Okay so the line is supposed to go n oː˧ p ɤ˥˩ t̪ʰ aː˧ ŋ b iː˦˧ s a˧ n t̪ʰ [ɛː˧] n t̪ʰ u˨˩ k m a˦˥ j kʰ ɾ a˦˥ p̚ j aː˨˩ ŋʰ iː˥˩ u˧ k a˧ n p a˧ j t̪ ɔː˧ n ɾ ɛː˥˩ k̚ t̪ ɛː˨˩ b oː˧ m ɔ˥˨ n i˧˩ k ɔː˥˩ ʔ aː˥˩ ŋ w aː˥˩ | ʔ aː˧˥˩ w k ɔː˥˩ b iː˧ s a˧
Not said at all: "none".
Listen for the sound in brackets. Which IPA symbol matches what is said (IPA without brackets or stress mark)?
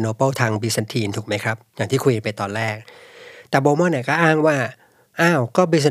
iː˧